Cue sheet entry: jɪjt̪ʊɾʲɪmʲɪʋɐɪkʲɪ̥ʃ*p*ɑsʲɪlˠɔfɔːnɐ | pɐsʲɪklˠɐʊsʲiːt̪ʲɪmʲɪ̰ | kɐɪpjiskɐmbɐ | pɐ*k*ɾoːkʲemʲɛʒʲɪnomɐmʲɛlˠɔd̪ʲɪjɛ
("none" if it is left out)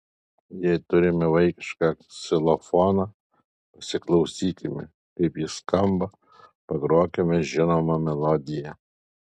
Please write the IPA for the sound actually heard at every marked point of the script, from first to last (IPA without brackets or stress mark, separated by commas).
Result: k, ɡ